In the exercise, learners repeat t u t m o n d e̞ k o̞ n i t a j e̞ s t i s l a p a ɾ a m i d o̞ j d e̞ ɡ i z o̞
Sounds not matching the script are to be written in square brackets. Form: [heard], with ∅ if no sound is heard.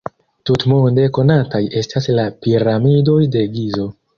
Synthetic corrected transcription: t u t m o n d e̞ k o̞ n [a] t a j e̞ s t [a] s l a p [i] ɾ a m i d o̞ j d e̞ ɡ i z o̞